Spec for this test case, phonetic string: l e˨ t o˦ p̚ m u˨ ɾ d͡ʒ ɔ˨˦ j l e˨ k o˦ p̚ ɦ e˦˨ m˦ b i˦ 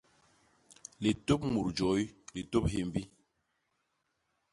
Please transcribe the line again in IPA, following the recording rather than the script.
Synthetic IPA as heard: l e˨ t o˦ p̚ m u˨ ɾ d͡ʒ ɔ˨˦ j l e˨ t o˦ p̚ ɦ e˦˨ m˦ b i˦